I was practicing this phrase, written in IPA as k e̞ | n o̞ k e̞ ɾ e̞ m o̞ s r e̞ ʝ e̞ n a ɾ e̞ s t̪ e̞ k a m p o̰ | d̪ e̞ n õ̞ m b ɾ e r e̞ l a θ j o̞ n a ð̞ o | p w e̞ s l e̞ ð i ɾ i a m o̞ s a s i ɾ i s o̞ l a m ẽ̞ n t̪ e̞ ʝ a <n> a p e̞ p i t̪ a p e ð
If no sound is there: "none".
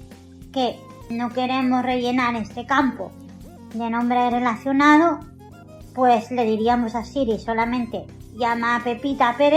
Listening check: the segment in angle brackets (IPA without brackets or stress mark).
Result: m